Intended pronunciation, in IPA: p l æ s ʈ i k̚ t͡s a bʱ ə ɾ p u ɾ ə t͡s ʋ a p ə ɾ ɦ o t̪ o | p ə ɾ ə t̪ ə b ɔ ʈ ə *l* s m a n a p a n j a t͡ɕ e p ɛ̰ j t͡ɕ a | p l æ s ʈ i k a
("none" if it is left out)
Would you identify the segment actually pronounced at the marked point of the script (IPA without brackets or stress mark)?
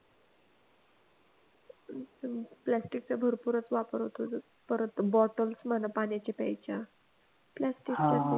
l